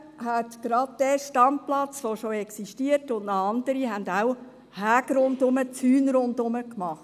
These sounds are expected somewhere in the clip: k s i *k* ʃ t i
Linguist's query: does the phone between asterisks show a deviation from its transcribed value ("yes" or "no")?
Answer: yes